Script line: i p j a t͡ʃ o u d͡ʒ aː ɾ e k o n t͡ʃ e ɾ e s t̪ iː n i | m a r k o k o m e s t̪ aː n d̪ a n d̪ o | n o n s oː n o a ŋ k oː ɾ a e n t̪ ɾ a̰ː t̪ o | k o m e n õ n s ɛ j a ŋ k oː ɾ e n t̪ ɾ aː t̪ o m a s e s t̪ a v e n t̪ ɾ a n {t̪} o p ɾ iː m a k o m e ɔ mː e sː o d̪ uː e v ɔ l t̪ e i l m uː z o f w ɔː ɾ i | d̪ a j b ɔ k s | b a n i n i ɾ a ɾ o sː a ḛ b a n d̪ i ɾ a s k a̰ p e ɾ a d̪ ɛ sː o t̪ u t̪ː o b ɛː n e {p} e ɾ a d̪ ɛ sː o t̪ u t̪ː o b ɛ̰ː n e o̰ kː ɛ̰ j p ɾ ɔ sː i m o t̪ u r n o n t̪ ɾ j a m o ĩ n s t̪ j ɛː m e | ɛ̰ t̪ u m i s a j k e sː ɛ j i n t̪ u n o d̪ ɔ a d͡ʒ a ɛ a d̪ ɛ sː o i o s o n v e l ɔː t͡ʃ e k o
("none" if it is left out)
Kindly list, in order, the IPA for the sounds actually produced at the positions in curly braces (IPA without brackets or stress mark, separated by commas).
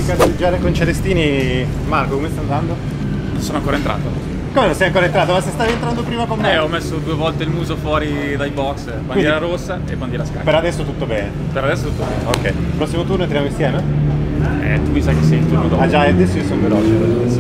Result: d̪, p